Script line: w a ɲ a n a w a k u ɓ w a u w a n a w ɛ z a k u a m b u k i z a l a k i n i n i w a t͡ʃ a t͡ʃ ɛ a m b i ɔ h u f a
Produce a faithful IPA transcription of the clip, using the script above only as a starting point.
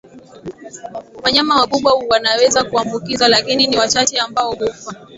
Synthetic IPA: w a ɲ a m a w a k u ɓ w a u w a n a w ɛ z a k u a m b u k i z a l a k i n i n i w a t͡ʃ a t͡ʃ ɛ a m b a ɔ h u f a